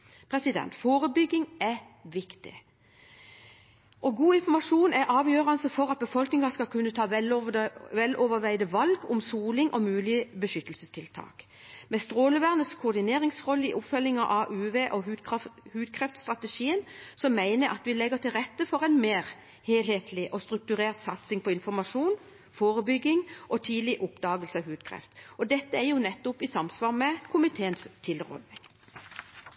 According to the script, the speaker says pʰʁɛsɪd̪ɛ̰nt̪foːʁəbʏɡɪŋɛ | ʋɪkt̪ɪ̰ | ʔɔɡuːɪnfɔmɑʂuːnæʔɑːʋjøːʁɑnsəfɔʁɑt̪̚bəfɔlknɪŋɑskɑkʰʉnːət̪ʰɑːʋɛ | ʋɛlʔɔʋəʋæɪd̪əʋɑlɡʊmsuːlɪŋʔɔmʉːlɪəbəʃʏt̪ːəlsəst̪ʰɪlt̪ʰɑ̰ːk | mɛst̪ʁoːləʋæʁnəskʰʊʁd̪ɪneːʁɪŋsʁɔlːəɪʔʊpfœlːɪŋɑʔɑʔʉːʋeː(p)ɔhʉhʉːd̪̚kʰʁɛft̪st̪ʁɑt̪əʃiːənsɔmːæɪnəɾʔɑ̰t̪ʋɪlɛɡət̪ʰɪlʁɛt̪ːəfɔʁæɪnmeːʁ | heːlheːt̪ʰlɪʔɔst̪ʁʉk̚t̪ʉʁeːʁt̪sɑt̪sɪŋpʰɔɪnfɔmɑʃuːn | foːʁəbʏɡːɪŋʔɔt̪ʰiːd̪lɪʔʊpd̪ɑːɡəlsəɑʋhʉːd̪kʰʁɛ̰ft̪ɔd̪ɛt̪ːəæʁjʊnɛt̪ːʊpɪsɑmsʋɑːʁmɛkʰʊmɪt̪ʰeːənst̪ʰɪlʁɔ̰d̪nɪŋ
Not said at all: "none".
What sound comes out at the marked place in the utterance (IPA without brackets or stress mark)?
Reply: ʔ